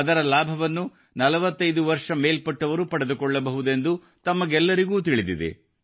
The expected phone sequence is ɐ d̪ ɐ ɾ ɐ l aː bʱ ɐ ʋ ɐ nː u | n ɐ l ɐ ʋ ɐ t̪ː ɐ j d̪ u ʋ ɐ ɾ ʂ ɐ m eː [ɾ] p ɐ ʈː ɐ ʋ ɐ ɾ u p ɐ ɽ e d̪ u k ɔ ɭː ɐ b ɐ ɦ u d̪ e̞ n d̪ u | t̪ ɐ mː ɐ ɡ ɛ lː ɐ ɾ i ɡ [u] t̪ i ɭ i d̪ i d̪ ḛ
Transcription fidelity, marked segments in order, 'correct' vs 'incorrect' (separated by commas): incorrect, incorrect